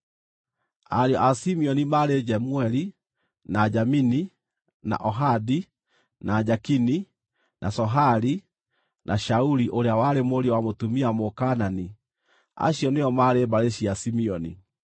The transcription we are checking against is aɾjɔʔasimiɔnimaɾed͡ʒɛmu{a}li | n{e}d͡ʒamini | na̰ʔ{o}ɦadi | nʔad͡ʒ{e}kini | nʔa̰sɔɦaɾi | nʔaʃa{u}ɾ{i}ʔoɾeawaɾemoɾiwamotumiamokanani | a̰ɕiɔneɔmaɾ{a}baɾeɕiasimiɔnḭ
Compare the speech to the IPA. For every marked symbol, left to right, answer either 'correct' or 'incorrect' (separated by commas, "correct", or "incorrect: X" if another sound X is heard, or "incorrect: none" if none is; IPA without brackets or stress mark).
incorrect: ɛ, incorrect: a, incorrect: ɔ, incorrect: a, correct, correct, incorrect: e